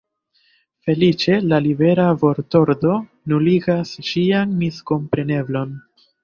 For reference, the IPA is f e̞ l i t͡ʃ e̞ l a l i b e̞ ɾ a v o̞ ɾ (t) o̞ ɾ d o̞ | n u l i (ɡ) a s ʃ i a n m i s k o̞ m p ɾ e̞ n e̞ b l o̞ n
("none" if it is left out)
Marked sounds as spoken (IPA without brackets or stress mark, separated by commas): t, ɡ